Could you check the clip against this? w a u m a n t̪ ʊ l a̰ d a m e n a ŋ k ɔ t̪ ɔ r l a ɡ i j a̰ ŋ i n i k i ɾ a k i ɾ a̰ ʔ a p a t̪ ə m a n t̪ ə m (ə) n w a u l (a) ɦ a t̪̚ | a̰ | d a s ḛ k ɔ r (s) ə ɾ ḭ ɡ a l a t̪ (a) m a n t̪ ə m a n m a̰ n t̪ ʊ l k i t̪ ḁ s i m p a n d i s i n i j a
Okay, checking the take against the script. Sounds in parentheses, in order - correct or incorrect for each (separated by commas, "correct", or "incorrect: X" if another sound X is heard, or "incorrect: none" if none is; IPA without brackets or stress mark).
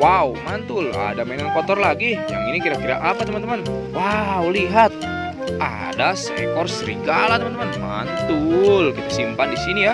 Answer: incorrect: a, incorrect: i, correct, incorrect: ə